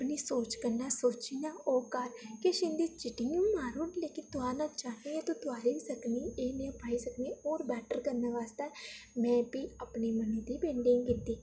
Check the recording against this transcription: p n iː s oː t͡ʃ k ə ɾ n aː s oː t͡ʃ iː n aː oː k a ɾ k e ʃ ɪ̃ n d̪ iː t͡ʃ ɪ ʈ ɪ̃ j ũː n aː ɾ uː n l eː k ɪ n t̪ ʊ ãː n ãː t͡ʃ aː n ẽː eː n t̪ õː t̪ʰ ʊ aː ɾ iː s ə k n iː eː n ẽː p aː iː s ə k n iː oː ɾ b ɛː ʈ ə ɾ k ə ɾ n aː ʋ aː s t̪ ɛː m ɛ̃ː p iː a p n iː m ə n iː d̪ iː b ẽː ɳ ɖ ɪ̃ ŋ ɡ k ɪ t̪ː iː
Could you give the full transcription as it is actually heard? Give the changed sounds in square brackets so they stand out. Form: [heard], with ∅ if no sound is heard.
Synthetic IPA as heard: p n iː s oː t͡ʃ k ə ɾ n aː s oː t͡ʃ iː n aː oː k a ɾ k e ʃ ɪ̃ n d̪ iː t͡ʃ ɪ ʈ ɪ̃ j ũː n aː ɾ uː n l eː k ɪ n t̪ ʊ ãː n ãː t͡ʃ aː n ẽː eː [∅] t̪ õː [t̪] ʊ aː ɾ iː s ə k n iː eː n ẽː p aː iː s ə k n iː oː ɾ b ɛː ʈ ə ɾ k ə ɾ n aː ʋ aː s t̪ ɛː m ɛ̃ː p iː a p n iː m ə n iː d̪ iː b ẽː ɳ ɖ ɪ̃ ŋ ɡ k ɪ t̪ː iː